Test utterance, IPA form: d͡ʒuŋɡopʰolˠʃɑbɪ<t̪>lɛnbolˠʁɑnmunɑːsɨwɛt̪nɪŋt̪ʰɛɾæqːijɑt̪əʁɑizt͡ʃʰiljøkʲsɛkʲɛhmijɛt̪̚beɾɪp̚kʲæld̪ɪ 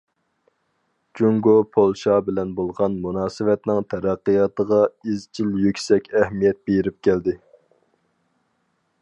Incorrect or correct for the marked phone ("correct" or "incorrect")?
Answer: incorrect